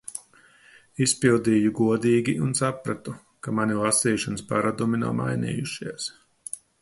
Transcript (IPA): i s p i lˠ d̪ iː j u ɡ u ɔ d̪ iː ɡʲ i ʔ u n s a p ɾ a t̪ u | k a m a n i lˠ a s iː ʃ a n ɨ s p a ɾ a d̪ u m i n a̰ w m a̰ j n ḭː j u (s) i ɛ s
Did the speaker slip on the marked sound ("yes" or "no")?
yes